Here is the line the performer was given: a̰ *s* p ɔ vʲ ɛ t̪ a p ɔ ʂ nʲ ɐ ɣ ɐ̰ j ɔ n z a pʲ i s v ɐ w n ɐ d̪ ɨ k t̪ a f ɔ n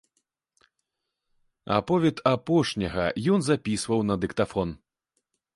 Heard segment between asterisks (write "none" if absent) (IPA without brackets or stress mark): none